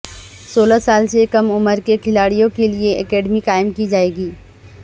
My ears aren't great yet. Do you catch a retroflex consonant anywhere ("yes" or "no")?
yes